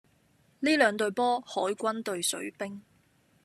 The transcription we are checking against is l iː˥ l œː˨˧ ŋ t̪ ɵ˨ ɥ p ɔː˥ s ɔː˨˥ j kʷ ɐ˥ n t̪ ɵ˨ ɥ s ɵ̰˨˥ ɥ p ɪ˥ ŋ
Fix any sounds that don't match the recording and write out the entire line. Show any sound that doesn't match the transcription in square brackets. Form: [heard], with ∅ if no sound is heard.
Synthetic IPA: l iː˥ l œː˨˧ ŋ t̪ ɵ˨ ɥ p ɔː˥ [h] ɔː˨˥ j kʷ ɐ˥ n t̪ ɵ˨ ɥ s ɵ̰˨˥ ɥ p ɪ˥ ŋ